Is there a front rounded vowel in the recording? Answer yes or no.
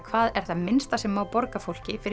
no